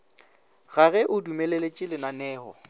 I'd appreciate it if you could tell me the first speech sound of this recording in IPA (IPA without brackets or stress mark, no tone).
ɣ